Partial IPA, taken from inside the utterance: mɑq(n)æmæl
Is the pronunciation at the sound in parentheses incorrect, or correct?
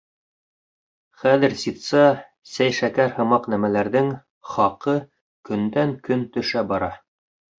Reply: correct